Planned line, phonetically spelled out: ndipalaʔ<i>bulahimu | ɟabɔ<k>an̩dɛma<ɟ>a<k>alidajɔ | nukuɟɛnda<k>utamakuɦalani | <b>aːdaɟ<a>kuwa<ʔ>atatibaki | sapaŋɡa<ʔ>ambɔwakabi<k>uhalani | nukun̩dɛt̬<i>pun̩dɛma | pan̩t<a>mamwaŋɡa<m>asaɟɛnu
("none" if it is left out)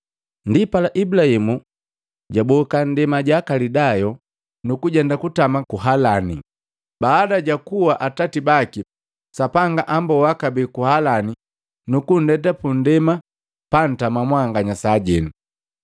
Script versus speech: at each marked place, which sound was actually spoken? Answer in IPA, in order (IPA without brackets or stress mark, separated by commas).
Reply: i, k, ɟ, k, k, b, a, ʔ, ʔ, k, a, a, ɲ